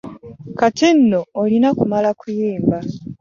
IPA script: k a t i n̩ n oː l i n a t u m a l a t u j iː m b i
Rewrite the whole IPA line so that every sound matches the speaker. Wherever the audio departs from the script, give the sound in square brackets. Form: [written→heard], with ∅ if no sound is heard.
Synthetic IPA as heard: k a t i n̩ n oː l i n a [t→k] u m a l a [t→k] u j iː m b [i→a]